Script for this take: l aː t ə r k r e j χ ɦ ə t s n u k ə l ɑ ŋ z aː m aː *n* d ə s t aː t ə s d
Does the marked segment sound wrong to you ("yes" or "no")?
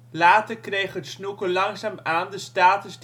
no